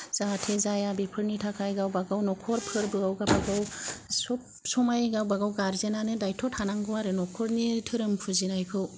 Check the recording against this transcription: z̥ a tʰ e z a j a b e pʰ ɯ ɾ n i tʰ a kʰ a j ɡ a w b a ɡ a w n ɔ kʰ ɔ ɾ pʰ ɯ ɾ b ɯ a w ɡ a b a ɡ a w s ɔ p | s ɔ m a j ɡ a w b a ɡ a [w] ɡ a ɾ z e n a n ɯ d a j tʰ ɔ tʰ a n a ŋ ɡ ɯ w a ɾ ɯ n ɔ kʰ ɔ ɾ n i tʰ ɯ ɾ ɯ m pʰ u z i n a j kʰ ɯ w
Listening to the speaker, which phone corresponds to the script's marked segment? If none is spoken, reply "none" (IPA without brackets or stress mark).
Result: w